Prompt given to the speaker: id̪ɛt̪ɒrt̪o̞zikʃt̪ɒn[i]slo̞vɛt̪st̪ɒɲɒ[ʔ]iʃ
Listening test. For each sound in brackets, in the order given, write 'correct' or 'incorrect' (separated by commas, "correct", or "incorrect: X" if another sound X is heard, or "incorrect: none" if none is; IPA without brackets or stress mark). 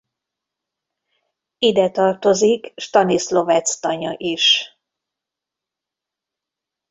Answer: correct, correct